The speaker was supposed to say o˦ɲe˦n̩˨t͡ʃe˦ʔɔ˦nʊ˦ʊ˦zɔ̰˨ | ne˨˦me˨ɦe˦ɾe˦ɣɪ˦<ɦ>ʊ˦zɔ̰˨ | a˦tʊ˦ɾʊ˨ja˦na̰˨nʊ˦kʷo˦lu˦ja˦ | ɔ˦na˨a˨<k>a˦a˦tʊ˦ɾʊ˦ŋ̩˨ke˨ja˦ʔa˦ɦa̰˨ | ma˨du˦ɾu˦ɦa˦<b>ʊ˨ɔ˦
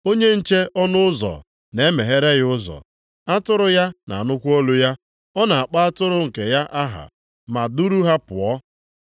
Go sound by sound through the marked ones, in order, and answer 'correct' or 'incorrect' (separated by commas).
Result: incorrect, incorrect, incorrect